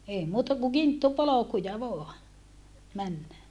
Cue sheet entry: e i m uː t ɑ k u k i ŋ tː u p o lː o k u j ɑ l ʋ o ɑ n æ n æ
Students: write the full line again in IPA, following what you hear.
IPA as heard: e i m uː t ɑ k u k i n tː u p o l o k u j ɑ ʋ o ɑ m æ nː æ